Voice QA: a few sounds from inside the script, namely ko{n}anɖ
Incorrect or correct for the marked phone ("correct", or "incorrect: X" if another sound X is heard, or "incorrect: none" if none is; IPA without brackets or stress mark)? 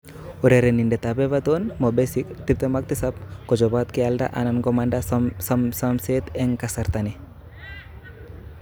incorrect: m